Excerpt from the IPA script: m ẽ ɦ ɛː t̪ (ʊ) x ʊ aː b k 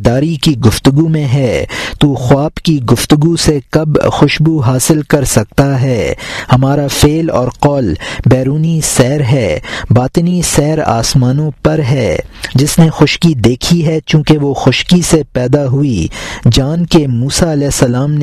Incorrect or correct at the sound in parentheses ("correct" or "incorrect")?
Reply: incorrect